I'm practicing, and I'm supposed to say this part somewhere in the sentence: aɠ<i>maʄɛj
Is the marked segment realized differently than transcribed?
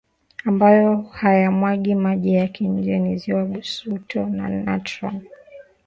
no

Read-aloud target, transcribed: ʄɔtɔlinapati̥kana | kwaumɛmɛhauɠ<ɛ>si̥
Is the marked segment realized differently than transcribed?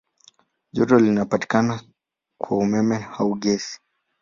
no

